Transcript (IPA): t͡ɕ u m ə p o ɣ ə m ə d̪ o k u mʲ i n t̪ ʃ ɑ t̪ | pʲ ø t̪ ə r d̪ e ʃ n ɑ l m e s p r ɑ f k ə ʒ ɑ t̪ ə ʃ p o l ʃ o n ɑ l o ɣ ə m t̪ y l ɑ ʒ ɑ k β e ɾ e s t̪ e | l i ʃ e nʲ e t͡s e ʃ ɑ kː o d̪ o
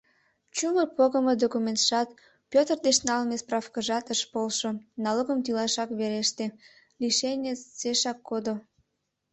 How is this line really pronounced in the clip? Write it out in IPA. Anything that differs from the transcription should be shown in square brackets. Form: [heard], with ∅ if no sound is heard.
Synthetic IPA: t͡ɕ u m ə p o ɣ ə m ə d̪ o k u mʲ [e] n t̪ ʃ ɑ t̪ | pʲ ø t̪ ə r d̪ e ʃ n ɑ l m e s p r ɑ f k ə ʒ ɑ t̪ ə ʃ p o l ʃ o n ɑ l o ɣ ə m t̪ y l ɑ [ʃ] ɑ k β e ɾ e [ʃ] t̪ e | l i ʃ e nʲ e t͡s e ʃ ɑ kː o d̪ o

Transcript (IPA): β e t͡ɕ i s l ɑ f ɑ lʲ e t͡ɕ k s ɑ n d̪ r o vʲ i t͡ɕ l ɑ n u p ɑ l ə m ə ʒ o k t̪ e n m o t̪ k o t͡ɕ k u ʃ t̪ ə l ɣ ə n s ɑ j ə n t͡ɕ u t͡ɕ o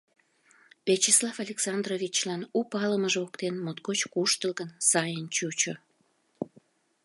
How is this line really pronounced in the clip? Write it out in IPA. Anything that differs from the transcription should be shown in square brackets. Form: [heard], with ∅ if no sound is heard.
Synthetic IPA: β e t͡ɕ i s l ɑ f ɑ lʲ e [∅] k s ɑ n d̪ r o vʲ i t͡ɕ l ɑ n u p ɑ l ə m ə ʒ o k t̪ e n m o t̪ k o t͡ɕ k u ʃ t̪ ə l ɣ ə n s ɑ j ə n t͡ɕ u t͡ɕ o

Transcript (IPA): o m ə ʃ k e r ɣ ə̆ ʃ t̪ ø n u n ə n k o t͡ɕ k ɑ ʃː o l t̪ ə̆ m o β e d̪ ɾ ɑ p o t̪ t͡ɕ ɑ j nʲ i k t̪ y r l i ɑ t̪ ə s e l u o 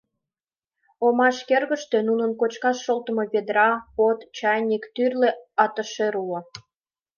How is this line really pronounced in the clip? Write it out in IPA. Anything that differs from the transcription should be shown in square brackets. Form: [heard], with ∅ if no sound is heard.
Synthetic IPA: o m [ɑ] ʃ k e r ɣ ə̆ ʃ t̪ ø n u n ə n k o t͡ɕ k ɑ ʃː o l t̪ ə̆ m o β e d̪ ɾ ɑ p o t̪ t͡ɕ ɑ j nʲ i k t̪ y r l [e] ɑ t̪ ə [ʃ] e [ɾ] u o

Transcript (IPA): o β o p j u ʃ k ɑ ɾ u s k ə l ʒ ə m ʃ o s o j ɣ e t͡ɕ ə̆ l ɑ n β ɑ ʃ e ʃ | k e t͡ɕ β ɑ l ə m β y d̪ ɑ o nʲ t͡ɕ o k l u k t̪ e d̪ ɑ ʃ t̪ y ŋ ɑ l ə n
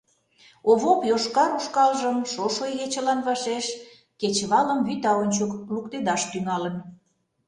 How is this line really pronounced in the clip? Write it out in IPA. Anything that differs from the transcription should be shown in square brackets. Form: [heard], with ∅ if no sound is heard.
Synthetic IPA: o β o p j [o] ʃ k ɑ ɾ u [ʃ] k [ɑ] l ʒ ə m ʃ o [ʃ] o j ɣ e t͡ɕ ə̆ l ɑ n β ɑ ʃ e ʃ | k e t͡ɕ β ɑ l ə m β y [t̪] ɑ o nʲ t͡ɕ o k l u k t̪ e d̪ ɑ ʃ t̪ y ŋ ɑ l ə n

